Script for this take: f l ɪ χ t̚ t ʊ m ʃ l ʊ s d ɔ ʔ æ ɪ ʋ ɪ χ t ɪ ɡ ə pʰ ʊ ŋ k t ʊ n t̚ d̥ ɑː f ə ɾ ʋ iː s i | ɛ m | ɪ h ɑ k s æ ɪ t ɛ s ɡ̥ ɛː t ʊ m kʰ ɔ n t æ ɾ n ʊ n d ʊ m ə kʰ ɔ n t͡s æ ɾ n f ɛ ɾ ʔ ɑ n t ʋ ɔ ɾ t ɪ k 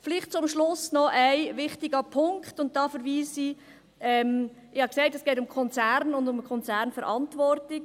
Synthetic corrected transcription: f l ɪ χ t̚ t͡s ʊ m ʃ l ʊ s n ɔ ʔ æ ɪ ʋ ɪ χ t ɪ ɡ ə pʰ ʊ ŋ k t ʊ n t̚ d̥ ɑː f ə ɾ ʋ iː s i | ɛ m | ɪ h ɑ k s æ ɪ t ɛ s ɡ̥ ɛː t ʊ m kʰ ɔ n t͡s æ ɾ n ʊ n d ʊ m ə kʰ ɔ n t͡s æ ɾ n f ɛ ɾ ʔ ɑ n t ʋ ɔ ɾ t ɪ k

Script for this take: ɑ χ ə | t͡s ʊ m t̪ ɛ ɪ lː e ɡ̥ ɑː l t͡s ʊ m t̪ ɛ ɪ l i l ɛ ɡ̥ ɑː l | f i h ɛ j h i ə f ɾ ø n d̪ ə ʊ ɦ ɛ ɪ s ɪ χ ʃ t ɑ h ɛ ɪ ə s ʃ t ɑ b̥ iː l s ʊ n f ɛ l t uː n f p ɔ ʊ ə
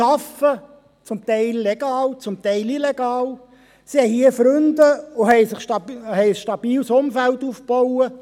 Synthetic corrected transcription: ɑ f ə | t͡s ʊ m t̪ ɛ ɪ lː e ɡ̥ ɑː l t͡s ʊ m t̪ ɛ ɪ l i l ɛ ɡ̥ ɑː l | s i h ɛ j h i ə f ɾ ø n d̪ ə ʊ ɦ ɛ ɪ s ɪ χ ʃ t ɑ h ɛ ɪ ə s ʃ t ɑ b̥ iː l s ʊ m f æ l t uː f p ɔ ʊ ə

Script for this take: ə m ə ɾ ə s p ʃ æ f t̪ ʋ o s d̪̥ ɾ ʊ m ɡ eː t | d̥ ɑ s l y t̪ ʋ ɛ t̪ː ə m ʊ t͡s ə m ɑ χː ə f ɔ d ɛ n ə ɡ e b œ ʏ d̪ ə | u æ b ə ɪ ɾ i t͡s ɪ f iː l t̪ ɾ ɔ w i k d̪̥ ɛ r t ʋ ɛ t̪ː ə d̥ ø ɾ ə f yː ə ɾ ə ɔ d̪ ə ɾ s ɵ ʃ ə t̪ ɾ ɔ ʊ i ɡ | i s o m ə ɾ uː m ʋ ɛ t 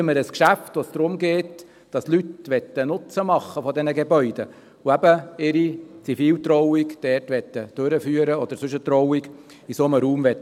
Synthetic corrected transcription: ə m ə ɾ ə s k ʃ æ f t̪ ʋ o s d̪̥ ɾ ʊ m ɡ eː t | d̥ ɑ s l y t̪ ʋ ɛ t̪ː ə n ʊ t͡s ə m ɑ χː ə f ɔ d ɛ n ə ɡ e b œ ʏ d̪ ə | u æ b ə ɪ ɾ i t͡s i f iː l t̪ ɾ ɔ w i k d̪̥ ɛ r t ʋ ɛ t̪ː ə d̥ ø ɾ ə f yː ə ɾ ə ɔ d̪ ə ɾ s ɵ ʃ ə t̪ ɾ ɔ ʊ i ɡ | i s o m ə ɾ uː m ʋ ɛ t

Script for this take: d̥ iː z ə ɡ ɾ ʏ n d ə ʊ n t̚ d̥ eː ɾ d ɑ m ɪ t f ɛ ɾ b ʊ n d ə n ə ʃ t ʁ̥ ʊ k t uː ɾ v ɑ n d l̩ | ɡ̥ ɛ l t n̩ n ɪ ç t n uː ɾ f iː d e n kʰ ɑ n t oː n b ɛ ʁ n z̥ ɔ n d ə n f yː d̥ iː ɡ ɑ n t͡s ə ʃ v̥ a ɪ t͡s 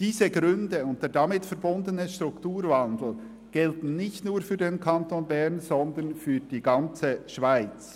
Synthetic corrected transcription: d̥ iː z ə ɡ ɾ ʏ n d ə ʊ n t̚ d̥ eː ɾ d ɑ m ɪ t f ɛ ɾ b ʊ n d ə n ə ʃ t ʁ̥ ʊ k t uː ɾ v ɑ n d l̩ | ɡ̥ ɛ l t n̩ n ɪ ç t n uː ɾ f yː d e n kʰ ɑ n t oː n b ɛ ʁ n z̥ ɔ n d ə n f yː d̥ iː ɡ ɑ n t͡s ə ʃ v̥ a ɪ t͡s

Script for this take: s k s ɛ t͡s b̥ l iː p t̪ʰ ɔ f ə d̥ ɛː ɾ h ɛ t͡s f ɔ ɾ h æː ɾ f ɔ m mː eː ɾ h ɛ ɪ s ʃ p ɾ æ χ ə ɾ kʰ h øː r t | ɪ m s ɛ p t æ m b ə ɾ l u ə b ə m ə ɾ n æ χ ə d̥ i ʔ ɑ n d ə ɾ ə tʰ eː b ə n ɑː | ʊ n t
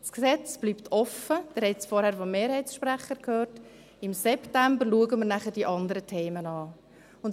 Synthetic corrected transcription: s k s ɛ t͡s b̥ l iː p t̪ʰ ɔ f ə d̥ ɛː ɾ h ɛ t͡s f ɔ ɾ h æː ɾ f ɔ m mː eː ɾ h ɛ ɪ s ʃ p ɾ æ χ ə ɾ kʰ h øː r t | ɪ m s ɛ p t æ m b ə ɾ l u ə ɡ ə m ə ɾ n æ χ ə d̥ i ʔ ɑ n d ə ɾ ə tʰ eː m ə n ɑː | ʊ n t

